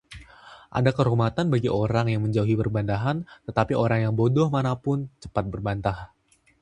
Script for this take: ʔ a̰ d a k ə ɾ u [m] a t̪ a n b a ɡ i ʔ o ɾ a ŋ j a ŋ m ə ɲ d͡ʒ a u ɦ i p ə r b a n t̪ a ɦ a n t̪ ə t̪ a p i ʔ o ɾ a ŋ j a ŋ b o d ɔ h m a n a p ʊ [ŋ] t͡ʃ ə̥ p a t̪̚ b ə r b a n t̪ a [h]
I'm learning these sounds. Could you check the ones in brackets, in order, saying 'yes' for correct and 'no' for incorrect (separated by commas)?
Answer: yes, no, yes